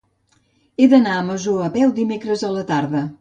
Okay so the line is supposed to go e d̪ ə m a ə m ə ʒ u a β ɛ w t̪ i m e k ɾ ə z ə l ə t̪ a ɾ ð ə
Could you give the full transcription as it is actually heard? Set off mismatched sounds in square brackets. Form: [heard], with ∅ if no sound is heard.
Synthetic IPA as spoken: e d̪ ə [n] a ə m ə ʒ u [ə] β ɛ w [d̪] i m e k ɾ ə z ə l ə t̪ a ɾ ð ə